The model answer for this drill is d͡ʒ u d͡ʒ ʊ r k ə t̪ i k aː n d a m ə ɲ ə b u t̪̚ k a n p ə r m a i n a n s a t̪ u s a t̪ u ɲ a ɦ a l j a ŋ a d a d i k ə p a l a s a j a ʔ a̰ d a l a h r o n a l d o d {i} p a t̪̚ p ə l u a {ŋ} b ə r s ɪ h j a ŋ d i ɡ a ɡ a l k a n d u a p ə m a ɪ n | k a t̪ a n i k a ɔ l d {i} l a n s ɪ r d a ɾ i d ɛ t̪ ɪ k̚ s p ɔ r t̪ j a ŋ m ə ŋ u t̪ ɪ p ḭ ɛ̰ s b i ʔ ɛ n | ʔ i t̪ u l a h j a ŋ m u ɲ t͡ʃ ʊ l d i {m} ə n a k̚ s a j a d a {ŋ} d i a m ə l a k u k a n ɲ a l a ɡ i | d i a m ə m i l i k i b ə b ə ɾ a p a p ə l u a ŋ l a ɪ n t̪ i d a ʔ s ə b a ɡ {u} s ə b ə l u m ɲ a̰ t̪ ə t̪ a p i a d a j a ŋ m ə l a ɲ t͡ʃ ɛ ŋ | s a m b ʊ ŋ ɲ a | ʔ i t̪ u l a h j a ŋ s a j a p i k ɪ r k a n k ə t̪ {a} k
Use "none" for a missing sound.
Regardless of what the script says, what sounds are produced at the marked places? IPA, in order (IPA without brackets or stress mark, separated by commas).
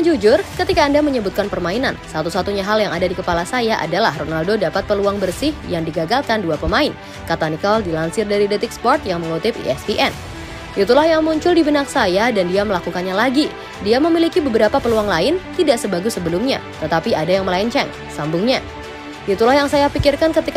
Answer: a, ŋ, i, b, n, u, i